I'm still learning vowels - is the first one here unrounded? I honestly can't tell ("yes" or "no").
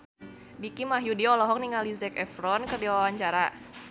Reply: yes